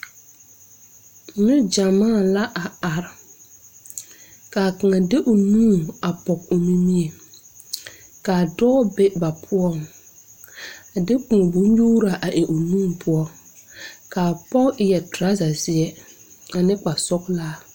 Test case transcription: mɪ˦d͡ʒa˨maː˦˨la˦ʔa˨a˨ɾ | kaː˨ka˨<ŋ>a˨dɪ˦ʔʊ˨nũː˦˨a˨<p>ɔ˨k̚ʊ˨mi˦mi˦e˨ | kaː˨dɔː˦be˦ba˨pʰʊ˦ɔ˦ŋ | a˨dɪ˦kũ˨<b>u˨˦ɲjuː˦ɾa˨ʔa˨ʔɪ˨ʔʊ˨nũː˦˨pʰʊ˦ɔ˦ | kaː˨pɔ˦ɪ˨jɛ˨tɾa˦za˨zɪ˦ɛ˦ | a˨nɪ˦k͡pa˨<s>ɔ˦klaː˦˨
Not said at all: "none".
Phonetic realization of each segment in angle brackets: ŋ, p, b, s

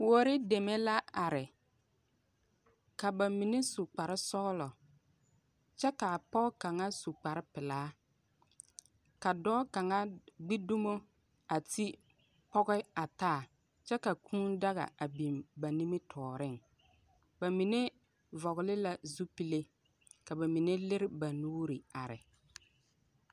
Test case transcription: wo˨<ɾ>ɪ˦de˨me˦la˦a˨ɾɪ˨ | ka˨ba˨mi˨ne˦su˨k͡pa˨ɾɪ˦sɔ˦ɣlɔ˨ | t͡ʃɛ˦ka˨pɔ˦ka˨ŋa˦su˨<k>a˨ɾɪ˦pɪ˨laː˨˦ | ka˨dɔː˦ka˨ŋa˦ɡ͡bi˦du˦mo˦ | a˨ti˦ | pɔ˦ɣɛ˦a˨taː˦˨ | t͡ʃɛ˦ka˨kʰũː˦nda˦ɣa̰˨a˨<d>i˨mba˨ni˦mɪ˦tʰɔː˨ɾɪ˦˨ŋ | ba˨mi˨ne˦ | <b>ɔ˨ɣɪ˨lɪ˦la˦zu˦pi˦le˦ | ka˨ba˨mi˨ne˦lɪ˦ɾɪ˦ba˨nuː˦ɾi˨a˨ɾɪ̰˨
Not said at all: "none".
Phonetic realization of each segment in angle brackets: ɾ, k͡p, b, v

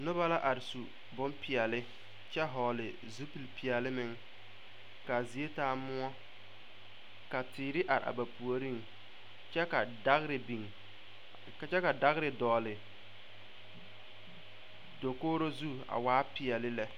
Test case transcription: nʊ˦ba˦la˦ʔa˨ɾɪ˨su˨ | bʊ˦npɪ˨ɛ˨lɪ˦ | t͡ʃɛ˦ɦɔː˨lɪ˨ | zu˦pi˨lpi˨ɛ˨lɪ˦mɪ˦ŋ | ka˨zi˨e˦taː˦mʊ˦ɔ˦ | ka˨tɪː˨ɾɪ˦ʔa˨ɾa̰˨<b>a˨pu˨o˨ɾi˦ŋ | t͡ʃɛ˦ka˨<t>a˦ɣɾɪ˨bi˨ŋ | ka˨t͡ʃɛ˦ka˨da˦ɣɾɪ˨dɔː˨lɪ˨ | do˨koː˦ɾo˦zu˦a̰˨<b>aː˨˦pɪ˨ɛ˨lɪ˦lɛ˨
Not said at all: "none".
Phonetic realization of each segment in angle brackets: b, d, w

